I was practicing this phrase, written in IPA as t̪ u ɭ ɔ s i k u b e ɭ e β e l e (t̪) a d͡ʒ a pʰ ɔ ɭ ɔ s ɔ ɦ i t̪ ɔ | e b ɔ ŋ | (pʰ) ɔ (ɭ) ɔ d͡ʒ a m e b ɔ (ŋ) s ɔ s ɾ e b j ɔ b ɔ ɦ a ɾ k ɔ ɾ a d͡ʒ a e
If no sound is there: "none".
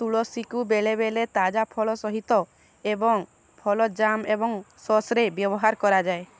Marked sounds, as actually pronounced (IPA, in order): t̪, pʰ, l, ŋ

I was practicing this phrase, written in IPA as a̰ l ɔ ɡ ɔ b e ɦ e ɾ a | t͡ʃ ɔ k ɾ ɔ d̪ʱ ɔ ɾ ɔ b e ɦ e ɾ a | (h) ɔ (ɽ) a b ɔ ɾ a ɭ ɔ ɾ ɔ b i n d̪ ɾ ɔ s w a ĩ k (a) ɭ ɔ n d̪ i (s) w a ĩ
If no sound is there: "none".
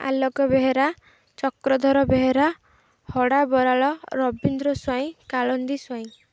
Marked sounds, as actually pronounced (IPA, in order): h, ɽ, a, s

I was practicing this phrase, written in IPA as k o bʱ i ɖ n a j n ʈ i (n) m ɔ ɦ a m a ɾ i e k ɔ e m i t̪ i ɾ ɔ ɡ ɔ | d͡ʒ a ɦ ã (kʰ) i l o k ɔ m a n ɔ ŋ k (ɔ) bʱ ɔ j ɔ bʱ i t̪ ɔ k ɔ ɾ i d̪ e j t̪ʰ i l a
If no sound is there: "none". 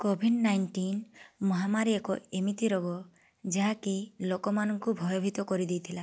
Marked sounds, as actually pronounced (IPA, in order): n, k, u

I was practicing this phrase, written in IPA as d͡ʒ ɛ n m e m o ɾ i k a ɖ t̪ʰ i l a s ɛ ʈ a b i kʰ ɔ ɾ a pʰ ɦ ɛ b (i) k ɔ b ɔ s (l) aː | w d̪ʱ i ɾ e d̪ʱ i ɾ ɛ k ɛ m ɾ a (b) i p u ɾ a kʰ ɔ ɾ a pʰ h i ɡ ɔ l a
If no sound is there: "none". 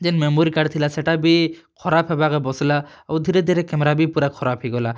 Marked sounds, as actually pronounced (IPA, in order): a, l, b

